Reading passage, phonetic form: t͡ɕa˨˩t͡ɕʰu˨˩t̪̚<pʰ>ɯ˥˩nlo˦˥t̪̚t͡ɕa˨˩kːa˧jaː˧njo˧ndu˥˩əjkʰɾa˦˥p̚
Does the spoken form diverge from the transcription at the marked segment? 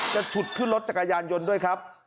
yes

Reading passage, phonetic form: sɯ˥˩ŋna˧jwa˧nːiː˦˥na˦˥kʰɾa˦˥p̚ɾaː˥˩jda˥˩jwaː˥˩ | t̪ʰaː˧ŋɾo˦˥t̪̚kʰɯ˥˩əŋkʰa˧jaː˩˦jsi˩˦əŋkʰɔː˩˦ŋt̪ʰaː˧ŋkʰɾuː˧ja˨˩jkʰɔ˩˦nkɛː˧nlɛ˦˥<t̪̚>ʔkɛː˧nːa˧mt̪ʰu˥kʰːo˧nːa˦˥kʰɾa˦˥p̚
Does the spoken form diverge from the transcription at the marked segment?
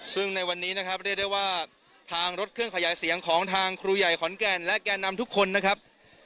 yes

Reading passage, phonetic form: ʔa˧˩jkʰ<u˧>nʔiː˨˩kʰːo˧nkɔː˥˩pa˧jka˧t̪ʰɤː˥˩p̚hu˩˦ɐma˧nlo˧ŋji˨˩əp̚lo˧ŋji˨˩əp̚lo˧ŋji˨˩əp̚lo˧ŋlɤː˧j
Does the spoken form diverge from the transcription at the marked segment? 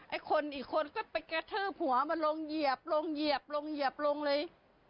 yes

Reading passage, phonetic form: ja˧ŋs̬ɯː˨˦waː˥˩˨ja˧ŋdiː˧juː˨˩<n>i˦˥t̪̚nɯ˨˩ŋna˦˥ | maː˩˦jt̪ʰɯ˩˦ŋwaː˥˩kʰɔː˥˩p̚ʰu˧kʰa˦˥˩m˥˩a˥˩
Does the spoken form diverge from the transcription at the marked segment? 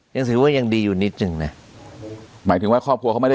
no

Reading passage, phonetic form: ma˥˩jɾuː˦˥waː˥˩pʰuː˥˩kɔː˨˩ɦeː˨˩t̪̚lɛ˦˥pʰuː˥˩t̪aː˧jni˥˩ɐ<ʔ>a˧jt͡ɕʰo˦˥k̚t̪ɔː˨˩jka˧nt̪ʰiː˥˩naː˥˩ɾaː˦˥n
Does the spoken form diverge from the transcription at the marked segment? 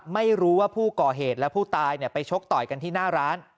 yes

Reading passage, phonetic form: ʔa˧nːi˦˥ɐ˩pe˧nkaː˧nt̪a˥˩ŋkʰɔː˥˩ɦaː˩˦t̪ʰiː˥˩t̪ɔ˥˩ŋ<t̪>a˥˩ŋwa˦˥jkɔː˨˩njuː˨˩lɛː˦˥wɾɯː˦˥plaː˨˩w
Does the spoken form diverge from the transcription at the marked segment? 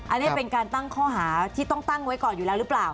no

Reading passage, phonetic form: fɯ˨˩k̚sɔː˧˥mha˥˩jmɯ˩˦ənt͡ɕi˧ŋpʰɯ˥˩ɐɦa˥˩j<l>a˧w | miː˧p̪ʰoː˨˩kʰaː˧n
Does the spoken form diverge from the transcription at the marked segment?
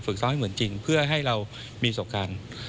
yes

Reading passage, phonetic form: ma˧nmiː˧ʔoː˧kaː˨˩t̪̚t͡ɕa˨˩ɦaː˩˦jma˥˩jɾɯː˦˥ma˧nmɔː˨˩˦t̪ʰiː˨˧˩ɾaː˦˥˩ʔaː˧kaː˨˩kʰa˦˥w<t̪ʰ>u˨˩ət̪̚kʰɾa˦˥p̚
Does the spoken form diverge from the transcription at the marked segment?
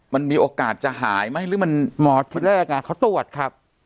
yes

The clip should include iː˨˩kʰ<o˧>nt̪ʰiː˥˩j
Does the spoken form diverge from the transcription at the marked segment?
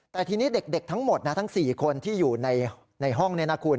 no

